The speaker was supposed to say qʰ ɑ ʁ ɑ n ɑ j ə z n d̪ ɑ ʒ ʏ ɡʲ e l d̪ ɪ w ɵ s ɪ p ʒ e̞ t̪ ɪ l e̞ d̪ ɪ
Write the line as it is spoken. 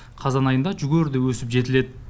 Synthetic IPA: qʰ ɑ z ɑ n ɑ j ə n d̪ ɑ ʒ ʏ ɡʲ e ɾ d̪ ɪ w ɵ s ɪ p ʒ e̞ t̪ ɪ l e̞ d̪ ɪ